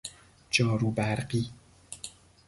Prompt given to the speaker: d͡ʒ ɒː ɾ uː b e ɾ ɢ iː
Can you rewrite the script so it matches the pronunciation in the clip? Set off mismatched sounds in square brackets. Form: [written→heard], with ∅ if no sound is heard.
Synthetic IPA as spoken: d͡ʒ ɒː ɾ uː b [e→æ] ɾ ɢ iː